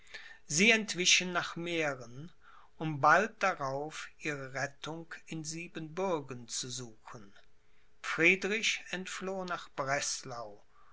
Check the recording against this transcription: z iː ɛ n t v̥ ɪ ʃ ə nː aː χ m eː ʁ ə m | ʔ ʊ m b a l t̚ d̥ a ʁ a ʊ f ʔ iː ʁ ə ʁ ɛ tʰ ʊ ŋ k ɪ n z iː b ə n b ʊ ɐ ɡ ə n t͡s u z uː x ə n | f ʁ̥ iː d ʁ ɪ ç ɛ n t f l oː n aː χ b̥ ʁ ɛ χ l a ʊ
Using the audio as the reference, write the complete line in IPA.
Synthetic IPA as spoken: z iː ɛ n t v̥ ɪ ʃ ə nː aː χ m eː ʁ ə n | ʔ ʊ m b a l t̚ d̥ a ʁ a ʊ f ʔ iː ʁ ə ʁ ɛ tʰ ʊ ŋ k ɪ n z iː b ə n b ʊ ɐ ɡ ə n t͡s u z uː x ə n | f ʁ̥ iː d ʁ ɪ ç ɛ n t f l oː n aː χ b̥ ʁ ɛ s l a ʊ

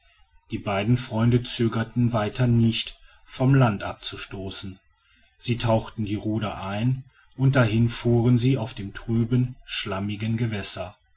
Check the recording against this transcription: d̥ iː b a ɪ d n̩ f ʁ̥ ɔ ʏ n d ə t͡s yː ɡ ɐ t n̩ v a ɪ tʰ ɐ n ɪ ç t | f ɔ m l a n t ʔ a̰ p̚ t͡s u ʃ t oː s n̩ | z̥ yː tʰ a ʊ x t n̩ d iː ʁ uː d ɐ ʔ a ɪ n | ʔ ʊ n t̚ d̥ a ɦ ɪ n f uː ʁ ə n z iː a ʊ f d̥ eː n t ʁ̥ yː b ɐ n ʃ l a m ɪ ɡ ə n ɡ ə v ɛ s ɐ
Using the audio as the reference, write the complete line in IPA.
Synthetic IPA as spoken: d̥ iː b a ɪ d n̩ f ʁ̥ ɔ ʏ n d ə t͡s øː ɡ ɐ t n̩ v a ɪ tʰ ɐ n ɪ ç t | f ɔ m l a n t ʔ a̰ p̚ t͡s u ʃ t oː s n̩ | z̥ iː tʰ a ʊ x t n̩ d iː ʁ uː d ɐ ʔ a ɪ n | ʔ ʊ n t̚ d̥ a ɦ ɪ n f uː ʁ ə n z iː a ʊ f d̥ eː m t ʁ̥ yː b ə n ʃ l a m ɪ ɡ ə n ɡ ə v ɛ s ɐ

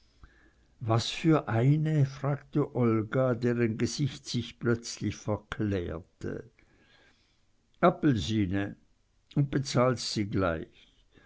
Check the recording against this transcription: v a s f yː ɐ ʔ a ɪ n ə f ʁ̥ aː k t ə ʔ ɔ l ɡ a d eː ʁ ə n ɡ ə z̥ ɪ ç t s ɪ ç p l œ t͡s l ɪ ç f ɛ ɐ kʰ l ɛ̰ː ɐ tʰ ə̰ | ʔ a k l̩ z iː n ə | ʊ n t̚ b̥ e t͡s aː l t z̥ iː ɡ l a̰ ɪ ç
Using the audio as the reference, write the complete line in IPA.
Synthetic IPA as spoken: v a s f yː ɐ ʔ a ɪ n ə f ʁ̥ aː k t ə ʔ ɔ l ɡ a d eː ʁ ə n ɡ ə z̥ ɪ ç t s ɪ ç p l œ t͡s l ɪ ç f ɛ ɐ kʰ l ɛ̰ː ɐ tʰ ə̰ | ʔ a p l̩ z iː n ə | ʊ n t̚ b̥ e t͡s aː l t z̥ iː ɡ l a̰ ɪ ç

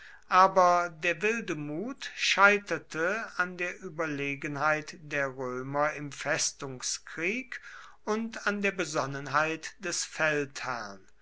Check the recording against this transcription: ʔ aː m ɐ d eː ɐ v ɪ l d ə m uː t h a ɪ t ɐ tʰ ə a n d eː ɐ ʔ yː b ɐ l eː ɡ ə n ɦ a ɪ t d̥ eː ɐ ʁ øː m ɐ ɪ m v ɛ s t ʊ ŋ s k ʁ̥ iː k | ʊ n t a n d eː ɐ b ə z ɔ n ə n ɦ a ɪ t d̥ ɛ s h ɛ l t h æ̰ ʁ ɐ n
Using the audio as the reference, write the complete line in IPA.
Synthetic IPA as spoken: ʔ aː b ɐ d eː ɐ v ɪ l d ə m uː t ʃ a ɪ t ɐ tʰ ə a n d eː ɐ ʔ yː b ɐ l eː ɡ ə n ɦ a ɪ t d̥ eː ɐ ʁ øː m ɐ ɪ m f ɛ s t ʊ ŋ s k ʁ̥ iː k | ʊ n t a n d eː ɐ b ə z ɔ n ə n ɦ a ɪ t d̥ ɛ s f ɛ l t h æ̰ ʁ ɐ n

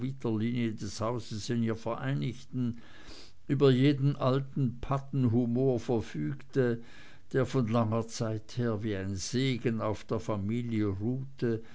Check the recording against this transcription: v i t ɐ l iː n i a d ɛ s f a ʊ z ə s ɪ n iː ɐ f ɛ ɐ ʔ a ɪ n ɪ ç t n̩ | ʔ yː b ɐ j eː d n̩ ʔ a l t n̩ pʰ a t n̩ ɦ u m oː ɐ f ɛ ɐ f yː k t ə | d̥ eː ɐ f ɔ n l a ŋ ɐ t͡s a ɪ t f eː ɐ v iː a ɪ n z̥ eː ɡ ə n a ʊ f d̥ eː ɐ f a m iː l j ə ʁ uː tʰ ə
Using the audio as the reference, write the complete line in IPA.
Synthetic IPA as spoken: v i t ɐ l iː n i ə d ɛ s h a ʊ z ə s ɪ n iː ɐ f ɛ ɐ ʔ a ɪ n ɪ ç t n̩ | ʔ yː b ɐ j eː d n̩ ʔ a l t n̩ pʰ a t n̩ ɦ u m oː ɐ f ɛ ɐ f yː k t ə | d̥ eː ɐ f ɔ n l a ŋ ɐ t͡s a ɪ t h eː ɐ v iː a ɪ n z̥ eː ɡ ə n a ʊ f d̥ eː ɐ f a m iː l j ə ʁ uː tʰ ə

